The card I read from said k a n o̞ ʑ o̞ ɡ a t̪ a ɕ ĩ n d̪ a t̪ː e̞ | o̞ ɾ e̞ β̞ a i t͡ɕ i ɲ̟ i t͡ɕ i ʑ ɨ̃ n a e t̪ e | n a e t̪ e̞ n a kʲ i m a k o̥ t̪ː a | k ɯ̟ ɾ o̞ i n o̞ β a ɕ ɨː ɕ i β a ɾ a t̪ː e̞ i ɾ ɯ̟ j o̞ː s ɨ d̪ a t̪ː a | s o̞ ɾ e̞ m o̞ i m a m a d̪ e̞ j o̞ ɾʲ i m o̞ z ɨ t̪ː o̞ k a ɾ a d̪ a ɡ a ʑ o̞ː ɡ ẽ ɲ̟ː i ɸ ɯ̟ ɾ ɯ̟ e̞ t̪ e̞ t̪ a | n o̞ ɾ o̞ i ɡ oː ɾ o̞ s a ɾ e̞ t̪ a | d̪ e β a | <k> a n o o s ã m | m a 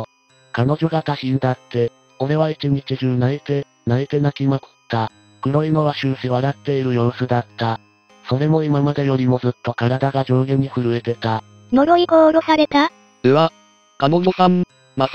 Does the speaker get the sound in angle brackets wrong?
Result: no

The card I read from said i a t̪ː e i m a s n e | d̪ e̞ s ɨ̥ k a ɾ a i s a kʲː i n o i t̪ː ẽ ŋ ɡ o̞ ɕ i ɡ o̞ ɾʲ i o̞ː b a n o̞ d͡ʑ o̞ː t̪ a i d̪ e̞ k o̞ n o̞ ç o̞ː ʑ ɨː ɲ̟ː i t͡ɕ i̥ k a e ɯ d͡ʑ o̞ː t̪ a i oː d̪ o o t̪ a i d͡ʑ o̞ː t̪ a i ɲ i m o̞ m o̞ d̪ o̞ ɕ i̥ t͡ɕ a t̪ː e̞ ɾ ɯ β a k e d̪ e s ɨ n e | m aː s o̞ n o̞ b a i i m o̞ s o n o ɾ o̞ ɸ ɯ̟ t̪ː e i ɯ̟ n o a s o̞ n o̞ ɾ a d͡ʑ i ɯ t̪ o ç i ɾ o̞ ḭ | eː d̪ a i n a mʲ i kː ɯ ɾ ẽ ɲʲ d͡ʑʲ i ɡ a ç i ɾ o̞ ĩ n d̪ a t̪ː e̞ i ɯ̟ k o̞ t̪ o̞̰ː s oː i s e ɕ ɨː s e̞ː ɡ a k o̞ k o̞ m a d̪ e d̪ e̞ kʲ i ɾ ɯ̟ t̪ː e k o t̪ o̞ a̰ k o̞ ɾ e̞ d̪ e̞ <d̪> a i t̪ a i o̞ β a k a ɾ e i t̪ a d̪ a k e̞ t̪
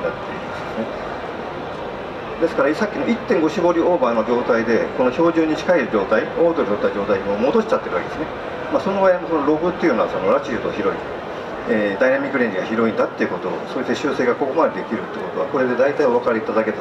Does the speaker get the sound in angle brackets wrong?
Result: no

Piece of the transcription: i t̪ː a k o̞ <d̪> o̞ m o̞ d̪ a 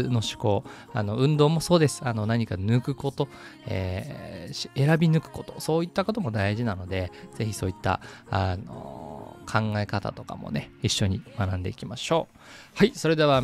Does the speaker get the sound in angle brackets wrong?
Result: yes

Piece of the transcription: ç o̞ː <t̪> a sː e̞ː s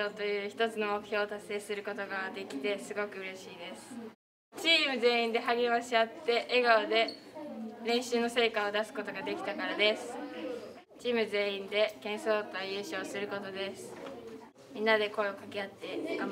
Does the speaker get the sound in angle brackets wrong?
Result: no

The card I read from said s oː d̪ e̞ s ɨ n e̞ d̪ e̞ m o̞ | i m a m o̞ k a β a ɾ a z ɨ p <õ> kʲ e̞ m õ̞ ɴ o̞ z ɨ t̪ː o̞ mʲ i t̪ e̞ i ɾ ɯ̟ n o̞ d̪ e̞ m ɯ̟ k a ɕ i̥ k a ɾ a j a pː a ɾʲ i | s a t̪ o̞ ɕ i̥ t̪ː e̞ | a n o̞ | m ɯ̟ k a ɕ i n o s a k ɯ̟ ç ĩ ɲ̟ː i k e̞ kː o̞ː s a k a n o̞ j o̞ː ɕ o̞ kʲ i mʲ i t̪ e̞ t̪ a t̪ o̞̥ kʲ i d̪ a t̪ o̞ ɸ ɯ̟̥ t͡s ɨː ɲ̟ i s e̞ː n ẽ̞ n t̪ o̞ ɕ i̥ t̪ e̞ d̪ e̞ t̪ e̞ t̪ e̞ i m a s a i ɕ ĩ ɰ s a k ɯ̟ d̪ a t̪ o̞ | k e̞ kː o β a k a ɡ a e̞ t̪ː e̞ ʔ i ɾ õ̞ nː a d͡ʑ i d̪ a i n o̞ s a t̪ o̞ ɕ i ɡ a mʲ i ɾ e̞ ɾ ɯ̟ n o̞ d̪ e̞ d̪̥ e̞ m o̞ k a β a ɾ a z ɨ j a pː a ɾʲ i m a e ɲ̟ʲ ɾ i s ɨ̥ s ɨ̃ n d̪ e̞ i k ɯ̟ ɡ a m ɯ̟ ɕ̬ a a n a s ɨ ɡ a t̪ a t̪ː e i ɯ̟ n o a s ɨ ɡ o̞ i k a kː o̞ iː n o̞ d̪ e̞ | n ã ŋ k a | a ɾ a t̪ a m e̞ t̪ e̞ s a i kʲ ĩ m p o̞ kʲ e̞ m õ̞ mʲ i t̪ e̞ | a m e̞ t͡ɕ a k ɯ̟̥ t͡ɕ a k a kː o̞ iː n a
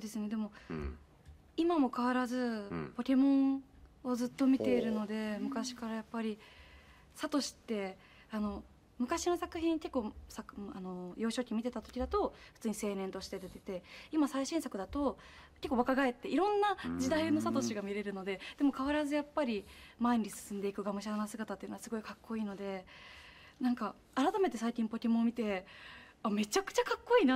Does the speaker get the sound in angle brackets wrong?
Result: yes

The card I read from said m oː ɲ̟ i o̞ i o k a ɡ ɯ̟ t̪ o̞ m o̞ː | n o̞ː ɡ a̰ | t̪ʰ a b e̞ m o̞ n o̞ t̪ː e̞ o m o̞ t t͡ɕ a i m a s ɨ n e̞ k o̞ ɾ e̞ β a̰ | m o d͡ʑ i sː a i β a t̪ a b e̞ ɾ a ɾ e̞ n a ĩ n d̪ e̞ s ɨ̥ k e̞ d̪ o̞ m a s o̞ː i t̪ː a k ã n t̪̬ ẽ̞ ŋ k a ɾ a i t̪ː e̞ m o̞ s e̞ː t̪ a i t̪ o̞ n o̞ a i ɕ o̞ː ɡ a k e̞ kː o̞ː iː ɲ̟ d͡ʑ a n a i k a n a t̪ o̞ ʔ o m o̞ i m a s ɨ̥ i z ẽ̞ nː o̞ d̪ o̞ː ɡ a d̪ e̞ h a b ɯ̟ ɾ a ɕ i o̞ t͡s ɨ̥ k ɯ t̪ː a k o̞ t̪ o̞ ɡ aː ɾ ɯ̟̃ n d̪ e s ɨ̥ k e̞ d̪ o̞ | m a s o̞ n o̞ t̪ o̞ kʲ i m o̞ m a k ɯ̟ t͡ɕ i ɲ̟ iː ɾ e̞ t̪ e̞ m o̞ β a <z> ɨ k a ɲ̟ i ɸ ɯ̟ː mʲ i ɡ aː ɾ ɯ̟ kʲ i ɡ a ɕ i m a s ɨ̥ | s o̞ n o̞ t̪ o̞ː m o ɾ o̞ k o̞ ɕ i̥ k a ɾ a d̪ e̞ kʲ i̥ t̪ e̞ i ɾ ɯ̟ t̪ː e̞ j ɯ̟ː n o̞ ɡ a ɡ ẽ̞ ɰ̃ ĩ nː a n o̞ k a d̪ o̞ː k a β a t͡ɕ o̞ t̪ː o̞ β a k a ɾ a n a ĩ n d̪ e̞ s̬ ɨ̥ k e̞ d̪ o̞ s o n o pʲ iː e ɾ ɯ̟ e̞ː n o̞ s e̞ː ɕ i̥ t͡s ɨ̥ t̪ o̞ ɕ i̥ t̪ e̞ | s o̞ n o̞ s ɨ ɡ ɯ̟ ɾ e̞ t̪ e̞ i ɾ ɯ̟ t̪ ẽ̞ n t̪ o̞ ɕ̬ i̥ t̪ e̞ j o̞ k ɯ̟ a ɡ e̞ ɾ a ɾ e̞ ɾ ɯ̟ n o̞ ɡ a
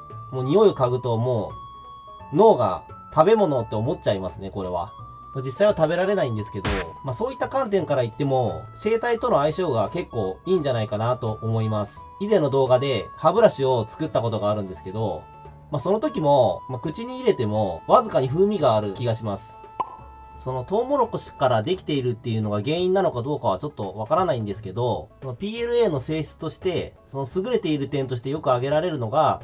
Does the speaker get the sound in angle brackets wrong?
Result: no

